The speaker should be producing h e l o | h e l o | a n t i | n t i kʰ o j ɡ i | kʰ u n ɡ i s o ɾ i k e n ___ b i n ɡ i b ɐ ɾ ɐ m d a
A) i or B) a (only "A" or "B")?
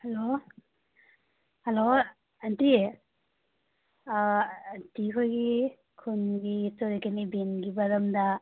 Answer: A